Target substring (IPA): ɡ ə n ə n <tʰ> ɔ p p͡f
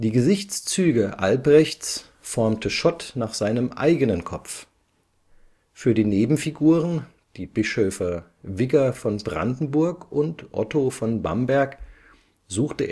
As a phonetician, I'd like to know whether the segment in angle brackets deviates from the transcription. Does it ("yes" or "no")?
yes